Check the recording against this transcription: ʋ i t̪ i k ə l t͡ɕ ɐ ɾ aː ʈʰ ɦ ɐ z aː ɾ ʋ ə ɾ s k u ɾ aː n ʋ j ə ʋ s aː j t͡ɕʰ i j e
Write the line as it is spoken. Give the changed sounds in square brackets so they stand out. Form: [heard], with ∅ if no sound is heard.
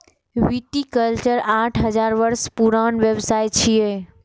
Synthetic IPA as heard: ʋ i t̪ i k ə l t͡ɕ [ə] ɾ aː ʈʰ ɦ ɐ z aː ɾ ʋ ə ɾ s [p] u ɾ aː n ʋ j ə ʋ s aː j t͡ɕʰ i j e